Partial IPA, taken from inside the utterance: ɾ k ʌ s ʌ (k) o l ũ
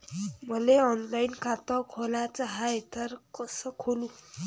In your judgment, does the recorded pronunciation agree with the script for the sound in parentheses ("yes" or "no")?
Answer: no